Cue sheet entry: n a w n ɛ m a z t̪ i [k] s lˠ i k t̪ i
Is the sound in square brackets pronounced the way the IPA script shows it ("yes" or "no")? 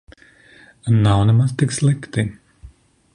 yes